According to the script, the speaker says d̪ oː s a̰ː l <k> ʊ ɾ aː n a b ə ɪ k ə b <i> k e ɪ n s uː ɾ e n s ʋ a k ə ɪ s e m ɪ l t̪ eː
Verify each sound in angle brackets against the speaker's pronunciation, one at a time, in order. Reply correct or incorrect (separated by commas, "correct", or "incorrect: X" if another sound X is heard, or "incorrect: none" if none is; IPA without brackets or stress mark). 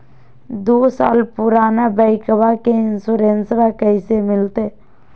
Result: incorrect: p, incorrect: a